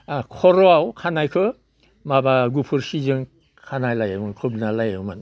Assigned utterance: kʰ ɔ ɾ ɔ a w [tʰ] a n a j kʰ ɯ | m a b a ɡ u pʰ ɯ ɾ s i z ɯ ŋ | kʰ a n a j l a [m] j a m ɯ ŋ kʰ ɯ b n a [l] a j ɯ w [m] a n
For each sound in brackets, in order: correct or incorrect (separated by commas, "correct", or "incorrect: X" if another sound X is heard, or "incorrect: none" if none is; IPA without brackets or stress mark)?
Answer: incorrect: kʰ, incorrect: none, correct, correct